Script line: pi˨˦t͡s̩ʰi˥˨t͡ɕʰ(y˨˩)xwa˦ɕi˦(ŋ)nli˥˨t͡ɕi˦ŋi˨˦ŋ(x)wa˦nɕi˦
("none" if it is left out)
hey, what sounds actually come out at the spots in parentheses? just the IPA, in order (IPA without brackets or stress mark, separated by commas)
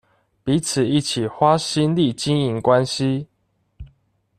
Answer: i˨˩, none, k